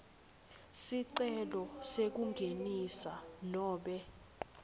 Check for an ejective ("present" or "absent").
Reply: absent